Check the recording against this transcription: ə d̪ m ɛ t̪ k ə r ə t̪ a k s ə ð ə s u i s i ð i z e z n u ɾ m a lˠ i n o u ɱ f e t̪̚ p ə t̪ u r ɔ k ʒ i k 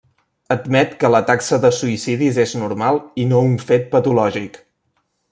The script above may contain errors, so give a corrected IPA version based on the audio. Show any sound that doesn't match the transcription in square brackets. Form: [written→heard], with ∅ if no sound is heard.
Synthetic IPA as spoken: ə d̪ m ɛ t̪ k ə [r→l] ə t̪ a k s ə ð ə s u i s i ð i z e z n u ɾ m a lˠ i n o u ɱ f e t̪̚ p ə t̪ u [r→l] ɔ [k→∅] ʒ i k